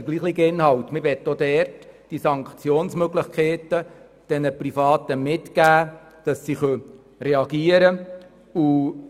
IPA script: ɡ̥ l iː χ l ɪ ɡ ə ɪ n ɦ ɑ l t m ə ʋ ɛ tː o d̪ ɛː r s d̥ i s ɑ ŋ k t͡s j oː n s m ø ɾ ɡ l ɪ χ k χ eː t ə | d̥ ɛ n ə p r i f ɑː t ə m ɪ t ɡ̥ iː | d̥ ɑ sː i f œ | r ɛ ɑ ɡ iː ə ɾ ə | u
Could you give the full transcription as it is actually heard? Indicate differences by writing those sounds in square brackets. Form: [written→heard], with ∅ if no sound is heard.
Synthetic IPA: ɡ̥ l iː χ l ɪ ɡ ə ɪ n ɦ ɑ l t m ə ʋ ɛ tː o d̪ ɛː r [s→t] d̥ i s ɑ ŋ k t͡s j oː n s m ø [ɾ→∅] ɡ l ɪ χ k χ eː t ə | d̥ ɛ n ə p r i f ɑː t ə m ɪ t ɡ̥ [iː→æː] | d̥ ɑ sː i [f→χ] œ | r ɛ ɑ ɡ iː ə ɾ ə | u